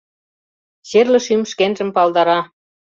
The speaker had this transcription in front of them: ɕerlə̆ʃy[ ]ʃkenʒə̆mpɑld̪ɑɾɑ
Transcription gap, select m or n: m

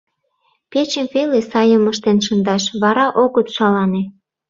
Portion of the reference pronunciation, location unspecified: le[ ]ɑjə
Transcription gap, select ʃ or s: s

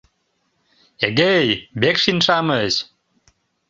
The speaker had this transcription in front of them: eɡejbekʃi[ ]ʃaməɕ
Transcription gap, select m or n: n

